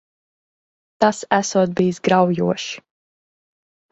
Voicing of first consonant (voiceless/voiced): voiceless